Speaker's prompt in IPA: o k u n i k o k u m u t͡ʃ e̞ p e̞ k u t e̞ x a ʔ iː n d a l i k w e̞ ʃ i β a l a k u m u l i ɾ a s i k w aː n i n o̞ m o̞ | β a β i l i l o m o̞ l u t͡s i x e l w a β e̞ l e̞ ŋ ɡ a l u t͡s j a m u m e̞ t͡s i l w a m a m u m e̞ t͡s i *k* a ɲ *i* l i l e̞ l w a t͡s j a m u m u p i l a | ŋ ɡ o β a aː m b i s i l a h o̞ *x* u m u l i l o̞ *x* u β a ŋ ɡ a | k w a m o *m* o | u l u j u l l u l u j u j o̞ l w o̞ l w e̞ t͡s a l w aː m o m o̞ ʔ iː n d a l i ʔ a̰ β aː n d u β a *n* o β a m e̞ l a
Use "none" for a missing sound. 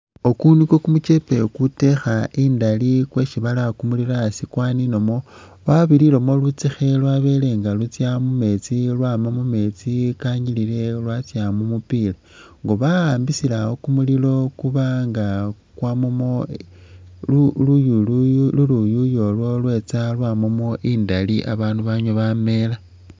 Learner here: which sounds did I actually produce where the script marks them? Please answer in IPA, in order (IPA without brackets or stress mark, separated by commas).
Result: k, i, k, k, m, ɲ